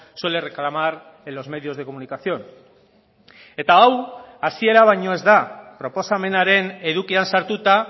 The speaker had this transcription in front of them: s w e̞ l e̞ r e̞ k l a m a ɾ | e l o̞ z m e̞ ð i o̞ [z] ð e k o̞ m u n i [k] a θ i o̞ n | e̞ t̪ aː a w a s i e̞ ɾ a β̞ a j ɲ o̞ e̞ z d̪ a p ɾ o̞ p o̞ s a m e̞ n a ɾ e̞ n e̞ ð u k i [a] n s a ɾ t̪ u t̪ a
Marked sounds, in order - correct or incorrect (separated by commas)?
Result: correct, correct, correct